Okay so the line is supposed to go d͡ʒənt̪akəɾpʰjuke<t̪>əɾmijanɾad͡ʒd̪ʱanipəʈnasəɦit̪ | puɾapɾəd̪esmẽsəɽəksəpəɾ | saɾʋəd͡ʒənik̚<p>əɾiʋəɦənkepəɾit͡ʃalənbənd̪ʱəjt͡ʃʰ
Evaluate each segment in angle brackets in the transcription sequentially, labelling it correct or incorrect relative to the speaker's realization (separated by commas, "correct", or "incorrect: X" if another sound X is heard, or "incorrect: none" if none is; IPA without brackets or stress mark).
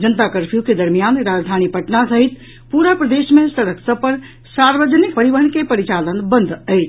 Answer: incorrect: d̪, correct